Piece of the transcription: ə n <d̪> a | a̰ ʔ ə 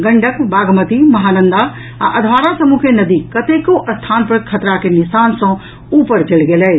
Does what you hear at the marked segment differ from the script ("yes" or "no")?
no